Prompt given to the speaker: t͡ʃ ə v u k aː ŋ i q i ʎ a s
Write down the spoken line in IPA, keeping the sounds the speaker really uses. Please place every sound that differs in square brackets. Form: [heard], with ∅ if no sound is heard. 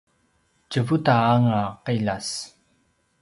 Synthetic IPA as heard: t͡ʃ ə v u [t] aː ŋ [a] q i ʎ a s